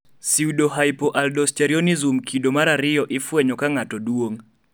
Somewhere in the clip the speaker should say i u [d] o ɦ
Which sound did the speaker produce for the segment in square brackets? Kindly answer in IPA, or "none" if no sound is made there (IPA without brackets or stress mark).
d